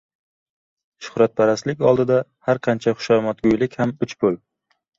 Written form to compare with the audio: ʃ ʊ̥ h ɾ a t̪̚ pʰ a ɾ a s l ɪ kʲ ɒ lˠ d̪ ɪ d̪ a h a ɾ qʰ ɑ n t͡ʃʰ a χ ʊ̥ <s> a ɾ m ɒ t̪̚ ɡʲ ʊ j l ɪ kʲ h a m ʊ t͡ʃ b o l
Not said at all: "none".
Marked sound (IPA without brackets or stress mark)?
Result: ʃ